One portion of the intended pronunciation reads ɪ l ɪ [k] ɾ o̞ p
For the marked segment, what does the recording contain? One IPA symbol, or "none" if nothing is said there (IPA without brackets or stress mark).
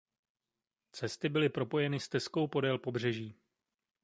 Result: p